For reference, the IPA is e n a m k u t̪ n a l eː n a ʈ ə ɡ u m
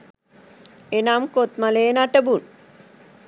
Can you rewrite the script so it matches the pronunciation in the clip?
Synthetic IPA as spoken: e n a m k o t̪ m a l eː n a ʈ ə b u n